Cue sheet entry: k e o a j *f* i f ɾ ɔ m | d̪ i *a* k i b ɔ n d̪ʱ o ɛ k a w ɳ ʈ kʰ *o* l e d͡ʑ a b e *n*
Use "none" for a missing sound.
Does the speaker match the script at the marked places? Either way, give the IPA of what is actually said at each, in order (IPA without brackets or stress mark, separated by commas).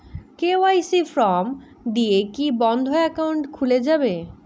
s, e, u, none